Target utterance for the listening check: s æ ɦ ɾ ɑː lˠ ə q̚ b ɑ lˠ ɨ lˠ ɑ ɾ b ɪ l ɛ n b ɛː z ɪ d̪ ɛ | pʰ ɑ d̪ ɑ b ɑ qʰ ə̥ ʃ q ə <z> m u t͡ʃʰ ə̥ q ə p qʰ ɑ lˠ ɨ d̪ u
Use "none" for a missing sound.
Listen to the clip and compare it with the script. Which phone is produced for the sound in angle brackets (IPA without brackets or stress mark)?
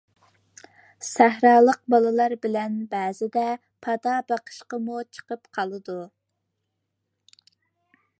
none